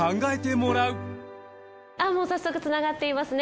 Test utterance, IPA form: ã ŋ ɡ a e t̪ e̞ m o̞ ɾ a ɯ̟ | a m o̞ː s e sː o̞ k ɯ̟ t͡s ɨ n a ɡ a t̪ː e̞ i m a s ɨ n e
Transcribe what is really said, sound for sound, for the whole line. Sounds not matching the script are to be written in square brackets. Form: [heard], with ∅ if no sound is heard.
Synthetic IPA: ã ŋ ɡ a e t̪ e̞ m o̞ ɾ a ɯ̟ | a m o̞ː s [a] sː o̞ k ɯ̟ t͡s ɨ n a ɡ a t̪ː e̞ i m a s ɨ n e

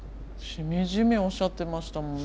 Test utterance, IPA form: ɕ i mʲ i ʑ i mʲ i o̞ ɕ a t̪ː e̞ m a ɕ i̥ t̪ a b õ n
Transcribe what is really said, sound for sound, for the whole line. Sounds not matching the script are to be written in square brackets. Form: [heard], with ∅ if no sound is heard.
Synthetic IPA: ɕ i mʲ i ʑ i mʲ i o̞ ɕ a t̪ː e̞ m a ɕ i̥ t̪ a [m] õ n

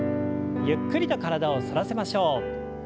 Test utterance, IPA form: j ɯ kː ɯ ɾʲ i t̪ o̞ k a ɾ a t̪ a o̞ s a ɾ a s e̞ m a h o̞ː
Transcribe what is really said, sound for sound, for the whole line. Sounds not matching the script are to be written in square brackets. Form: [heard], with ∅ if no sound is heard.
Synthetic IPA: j ɯ kː ɯ ɾʲ i t̪ o̞ k a ɾ a [d̪] a o̞ s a ɾ a s e̞ m a [ɕ] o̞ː

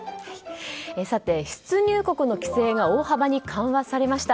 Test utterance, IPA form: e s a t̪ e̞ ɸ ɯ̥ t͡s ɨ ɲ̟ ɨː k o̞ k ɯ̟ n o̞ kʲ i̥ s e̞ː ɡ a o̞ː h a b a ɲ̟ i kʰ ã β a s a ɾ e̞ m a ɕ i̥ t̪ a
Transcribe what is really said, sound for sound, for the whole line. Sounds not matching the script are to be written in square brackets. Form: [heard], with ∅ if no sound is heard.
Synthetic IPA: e s a t̪ e̞ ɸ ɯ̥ t͡s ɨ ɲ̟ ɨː k o̞ k ɯ̟ n o̞ kʲ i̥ s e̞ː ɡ a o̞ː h a b a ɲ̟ i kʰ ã β a s a ɾ e̞ m a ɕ i̥ t̪ a

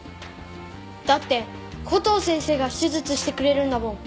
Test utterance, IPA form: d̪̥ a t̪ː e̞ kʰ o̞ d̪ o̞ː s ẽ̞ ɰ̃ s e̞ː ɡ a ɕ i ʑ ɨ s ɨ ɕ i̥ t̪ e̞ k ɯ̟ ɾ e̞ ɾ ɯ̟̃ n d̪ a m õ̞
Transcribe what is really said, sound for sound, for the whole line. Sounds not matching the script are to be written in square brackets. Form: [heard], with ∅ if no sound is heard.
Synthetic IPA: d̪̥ a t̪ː e̞ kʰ o̞ [t̪] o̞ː s ẽ̞ ɰ̃ s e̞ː ɡ a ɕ i [z] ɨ [t͡s] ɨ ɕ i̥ t̪ e̞ k ɯ̟ ɾ e̞ ɾ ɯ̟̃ n d̪ a m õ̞

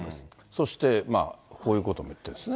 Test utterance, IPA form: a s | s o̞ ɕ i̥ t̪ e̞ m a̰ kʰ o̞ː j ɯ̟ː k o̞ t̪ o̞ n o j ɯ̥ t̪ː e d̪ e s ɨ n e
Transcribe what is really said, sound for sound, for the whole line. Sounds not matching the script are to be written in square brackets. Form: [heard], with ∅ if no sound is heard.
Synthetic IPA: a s | s o̞ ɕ i̥ t̪ e̞ m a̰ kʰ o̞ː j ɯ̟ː k o̞ t̪ o̞ [m] o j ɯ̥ t̪ː e d̪ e s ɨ n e

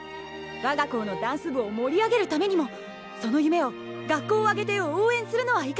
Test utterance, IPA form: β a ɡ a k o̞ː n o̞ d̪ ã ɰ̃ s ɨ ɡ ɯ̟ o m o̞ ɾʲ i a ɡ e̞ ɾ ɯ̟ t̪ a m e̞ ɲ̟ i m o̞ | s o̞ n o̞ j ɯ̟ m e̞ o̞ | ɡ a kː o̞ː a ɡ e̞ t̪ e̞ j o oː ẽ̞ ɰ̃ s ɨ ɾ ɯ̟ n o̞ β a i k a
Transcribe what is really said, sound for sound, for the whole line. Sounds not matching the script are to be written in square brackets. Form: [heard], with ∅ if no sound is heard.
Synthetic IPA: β a ɡ a k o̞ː n o̞ d̪ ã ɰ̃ s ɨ [b] ɯ̟ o m o̞ ɾʲ i a ɡ e̞ ɾ ɯ̟ t̪ a m e̞ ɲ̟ i m o̞ | s o̞ n o̞ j ɯ̟ m e̞ o̞ | ɡ a kː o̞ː a ɡ e̞ t̪ e̞ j o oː ẽ̞ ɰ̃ s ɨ ɾ ɯ̟ n o̞ β a i k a

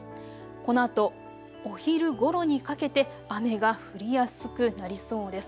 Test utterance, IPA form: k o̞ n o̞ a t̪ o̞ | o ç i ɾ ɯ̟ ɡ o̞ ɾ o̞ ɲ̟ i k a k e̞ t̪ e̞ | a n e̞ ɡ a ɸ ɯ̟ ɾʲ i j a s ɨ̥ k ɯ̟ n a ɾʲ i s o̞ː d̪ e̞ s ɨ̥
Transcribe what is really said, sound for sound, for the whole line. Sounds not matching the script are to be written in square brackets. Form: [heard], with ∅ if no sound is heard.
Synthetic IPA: k o̞ n o̞ a t̪ o̞ | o ç i ɾ ɯ̟ ɡ o̞ ɾ o̞ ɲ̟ i k a k e̞ t̪ e̞ | a [m] e̞ ɡ a ɸ ɯ̟ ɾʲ i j a s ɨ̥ k ɯ̟ n a ɾʲ i s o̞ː d̪ e̞ s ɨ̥

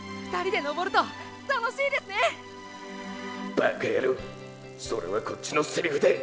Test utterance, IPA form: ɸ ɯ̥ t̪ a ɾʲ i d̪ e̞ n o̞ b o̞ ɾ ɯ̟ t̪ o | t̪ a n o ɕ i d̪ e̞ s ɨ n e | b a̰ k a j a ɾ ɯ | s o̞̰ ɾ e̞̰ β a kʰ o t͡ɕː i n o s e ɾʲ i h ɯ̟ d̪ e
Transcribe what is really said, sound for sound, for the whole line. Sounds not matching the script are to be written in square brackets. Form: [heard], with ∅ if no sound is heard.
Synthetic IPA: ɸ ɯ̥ t̪ a ɾʲ i d̪ e̞ n o̞ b o̞ ɾ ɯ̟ t̪ o | t̪ a n o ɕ [iː] d̪ e̞ s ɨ n e | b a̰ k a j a ɾ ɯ | s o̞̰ ɾ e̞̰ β a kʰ o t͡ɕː i n o s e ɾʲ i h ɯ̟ d̪ e

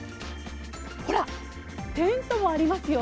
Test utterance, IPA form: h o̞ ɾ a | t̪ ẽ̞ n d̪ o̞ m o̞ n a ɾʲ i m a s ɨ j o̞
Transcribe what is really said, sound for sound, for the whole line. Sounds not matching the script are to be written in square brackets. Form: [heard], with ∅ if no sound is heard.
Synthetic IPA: h o̞ ɾ a | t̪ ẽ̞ n [t̪] o̞ m o̞ [∅] a ɾʲ i m a s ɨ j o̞

